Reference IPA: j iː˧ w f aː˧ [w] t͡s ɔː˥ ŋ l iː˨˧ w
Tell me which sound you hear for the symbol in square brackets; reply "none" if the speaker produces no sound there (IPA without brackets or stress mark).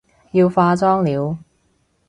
none